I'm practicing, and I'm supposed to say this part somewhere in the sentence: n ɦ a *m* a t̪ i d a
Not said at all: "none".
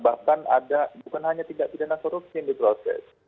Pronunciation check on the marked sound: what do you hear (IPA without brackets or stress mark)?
ɲ